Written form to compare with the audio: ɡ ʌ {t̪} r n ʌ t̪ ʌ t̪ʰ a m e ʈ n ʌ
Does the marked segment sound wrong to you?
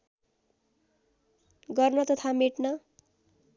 yes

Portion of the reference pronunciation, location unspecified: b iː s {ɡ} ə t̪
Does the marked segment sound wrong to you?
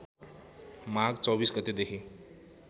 no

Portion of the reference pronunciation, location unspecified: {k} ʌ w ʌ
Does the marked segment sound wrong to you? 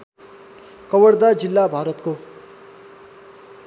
no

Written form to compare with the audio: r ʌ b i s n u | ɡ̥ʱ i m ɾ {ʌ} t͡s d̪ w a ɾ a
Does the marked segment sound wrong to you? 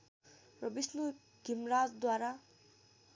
yes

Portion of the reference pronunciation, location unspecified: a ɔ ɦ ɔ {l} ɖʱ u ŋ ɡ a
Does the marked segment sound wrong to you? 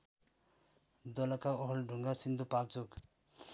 no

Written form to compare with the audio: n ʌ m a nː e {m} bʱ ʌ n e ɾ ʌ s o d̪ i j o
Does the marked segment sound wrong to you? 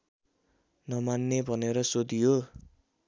yes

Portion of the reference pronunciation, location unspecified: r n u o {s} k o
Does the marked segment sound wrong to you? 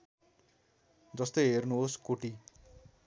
no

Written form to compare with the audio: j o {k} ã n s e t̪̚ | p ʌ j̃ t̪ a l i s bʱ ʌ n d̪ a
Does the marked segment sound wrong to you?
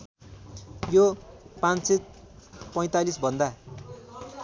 yes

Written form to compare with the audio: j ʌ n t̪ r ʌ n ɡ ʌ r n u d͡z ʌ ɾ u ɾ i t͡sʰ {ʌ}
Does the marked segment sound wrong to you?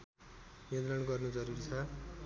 no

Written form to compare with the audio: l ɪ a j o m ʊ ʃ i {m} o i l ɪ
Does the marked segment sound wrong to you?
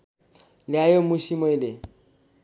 no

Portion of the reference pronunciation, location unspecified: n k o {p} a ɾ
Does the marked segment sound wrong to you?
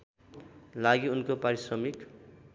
no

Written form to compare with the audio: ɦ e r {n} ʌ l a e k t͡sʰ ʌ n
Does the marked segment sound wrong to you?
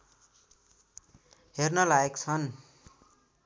no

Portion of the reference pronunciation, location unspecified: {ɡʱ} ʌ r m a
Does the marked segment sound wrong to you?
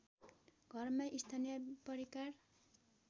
no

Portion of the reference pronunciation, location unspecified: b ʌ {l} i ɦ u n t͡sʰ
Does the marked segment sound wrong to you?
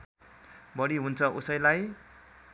yes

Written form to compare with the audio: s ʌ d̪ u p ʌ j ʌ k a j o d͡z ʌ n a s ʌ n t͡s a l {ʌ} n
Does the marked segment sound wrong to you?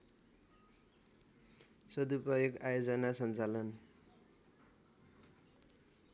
no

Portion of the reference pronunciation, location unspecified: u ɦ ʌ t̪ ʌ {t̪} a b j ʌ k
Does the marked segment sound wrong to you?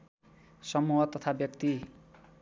yes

